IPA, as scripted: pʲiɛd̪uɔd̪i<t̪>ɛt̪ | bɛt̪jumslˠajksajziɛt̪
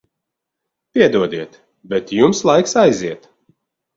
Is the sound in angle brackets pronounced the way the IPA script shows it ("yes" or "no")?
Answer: no